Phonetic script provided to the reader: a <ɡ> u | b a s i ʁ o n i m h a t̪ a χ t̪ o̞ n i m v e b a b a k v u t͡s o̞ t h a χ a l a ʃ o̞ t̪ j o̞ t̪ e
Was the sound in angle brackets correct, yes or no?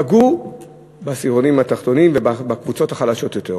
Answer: yes